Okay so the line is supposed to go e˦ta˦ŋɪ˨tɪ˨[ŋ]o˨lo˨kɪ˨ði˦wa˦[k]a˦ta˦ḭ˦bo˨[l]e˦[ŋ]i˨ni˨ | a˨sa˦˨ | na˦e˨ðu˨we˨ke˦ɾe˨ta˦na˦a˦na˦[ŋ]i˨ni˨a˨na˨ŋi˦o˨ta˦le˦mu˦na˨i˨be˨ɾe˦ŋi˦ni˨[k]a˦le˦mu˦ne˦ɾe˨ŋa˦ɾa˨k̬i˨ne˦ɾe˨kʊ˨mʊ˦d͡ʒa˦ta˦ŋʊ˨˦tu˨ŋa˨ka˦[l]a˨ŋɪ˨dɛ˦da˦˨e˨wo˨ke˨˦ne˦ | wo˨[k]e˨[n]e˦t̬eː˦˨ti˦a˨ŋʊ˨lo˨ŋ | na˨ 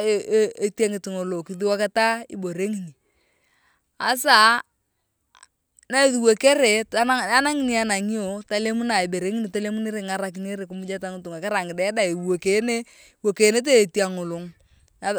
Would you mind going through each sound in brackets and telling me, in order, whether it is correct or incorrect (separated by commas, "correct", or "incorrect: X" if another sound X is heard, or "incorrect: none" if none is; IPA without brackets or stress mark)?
correct, correct, incorrect: ɾ, correct, correct, incorrect: t, incorrect: ɾ, correct, correct